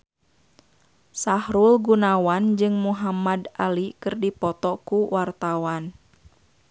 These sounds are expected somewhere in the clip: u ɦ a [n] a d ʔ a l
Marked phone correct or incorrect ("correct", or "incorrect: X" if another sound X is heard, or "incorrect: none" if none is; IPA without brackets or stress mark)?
incorrect: m